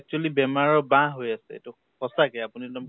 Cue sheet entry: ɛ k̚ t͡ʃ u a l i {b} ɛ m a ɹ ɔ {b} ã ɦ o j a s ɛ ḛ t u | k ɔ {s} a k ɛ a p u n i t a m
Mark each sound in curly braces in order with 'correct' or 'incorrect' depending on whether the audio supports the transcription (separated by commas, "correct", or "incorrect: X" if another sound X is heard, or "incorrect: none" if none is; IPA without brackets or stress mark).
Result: correct, correct, correct